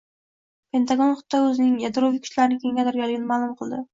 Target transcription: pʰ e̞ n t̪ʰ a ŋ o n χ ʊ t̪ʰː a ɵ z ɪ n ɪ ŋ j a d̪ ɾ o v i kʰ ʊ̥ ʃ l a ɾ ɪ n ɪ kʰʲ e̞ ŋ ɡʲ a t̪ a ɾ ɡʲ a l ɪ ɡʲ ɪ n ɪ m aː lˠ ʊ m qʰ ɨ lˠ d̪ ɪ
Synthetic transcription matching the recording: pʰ e̞ n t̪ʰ a ɡ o n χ ʊ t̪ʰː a ɵ z ɪ n ɪ ŋ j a d̪ ɾ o v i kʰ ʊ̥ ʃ l a ɾ ɪ n ɪ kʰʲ e̞ ŋ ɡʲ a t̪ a ɾ ɡʲ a l ɪ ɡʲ ɪ n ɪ m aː lˠ ʊ m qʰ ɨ lˠ d̪ ɪ

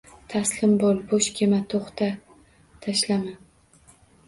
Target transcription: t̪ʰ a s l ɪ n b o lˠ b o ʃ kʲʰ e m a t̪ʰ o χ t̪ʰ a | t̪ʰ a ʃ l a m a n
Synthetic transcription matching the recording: t̪ʰ a s l ɪ m b o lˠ b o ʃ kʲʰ e m a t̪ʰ o χ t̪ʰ a | t̪ʰ a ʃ l a m a n

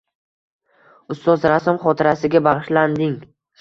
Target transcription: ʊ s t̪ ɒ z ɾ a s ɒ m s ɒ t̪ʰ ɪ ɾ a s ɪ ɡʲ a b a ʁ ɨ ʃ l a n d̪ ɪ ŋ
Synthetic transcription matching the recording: ʊ s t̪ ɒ z ɾ a s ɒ m χ ɒ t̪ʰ ɪ ɾ a s ɪ ɡʲ a b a ʁ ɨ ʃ l a n d̪ ɪ ŋ

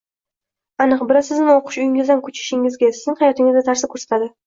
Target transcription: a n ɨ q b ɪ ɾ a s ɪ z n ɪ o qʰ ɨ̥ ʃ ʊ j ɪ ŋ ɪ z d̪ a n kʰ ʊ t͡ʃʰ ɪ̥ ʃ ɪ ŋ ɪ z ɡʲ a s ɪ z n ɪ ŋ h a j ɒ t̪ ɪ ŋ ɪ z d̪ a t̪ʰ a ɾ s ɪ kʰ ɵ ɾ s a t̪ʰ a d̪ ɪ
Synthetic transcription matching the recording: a n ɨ q b ɪ ɾ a s ɪ z n ɪ o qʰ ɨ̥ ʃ ʊ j ɪ ŋ ɪ z d̪ a n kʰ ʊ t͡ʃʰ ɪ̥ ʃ ɪ ŋ ɪ z ɡʲ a s ɪ z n ɪ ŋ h a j ɒ t̪ ɪ ŋ ɪ z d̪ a t̪ʰ a ɾ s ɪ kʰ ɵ ɾ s a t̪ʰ a d̪ ɪ

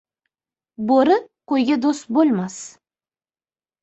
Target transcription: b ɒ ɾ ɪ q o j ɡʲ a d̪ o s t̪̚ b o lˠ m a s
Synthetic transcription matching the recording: b o ɾ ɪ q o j ɡʲ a d̪ o s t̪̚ b o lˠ m a s

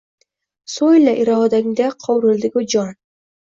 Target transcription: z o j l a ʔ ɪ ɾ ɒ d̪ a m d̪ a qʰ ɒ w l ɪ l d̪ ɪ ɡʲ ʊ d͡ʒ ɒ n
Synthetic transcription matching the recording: s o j l a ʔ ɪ ɾ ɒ d̪ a ŋ d̪ a qʰ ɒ w ɾ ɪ l d̪ ɪ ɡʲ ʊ d͡ʒ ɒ n

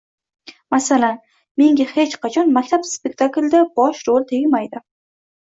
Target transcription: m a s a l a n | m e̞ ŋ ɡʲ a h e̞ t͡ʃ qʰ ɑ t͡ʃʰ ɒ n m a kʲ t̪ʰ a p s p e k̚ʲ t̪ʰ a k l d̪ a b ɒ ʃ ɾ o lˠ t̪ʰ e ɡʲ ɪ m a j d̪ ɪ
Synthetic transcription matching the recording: m a s a l a n | m e̞ ŋ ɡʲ a h e̞ t͡ʃ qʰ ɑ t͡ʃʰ ɒ n m a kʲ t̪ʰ a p s p e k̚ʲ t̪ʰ a k l d̪ a b ɒ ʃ ɾ o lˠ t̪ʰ e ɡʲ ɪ m a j d̪ ɪ

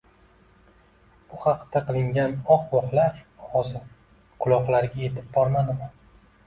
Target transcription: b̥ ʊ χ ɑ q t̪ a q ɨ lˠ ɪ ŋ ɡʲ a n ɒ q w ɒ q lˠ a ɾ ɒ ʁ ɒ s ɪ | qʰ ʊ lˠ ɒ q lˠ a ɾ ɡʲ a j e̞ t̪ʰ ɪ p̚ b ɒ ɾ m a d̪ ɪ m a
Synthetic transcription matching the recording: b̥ ʊ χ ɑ q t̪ a q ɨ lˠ ɪ ŋ ɡʲ a n ɒ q w ɒ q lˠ a ɾ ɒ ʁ ɒ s ɪ | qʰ ʊ lˠ ɒ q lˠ a ɾ ɡʲ a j e̞ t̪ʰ ɪ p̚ b ɒ ɾ m a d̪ ɪ m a

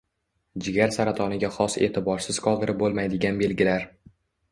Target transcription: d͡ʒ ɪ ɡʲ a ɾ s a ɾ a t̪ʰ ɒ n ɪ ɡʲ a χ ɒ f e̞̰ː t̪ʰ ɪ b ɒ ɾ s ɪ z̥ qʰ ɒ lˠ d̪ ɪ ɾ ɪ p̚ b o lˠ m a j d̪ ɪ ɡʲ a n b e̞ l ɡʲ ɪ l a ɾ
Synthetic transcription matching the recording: d͡ʒ ɪ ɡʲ a ɾ s a ɾ a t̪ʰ ɒ n ɪ ɡʲ a χ ɒ s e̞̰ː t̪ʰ ɪ b ɒ ɾ s ɪ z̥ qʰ ɒ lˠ d̪ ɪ ɾ ɪ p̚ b o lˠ m a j d̪ ɪ ɡʲ a n b e̞ l ɡʲ ɪ l a ɾ

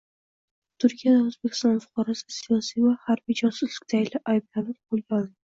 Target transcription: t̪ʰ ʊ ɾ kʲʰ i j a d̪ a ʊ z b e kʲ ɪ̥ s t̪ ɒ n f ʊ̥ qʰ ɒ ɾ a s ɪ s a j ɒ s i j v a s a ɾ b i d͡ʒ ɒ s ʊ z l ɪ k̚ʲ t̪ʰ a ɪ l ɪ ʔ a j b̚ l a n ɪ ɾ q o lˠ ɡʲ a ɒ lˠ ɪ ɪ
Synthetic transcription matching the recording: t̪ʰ ʊ ɾ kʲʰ i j a d̪ a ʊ z b e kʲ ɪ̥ s t̪ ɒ n f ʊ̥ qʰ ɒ ɾ a s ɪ s i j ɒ s i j v a h a ɾ b i d͡ʒ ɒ s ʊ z l ɪ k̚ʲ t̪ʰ a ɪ l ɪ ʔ a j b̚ l a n ɪ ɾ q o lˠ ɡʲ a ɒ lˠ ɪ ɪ

